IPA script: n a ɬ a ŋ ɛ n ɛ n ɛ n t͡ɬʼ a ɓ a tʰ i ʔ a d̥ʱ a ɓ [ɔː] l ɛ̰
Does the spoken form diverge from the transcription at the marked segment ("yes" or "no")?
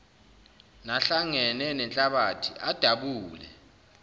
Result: yes